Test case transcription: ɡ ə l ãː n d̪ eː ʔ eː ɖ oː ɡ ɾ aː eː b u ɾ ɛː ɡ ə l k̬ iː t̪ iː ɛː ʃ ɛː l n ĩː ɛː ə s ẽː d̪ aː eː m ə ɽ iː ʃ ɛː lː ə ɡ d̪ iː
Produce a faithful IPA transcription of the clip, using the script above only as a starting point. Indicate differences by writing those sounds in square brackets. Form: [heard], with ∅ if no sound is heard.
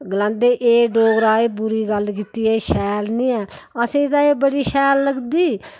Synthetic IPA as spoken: ɡ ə l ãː n d̪ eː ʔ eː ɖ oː ɡ ɾ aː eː b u ɾ [iː] ɡ ə l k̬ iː t̪ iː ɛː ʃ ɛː l n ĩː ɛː ə s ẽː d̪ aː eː [b] ə ɽ iː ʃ ɛː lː ə ɡ d̪ iː